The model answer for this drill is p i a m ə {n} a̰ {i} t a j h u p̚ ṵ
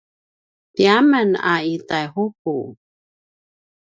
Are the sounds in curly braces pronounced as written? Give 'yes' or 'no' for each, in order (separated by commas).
yes, yes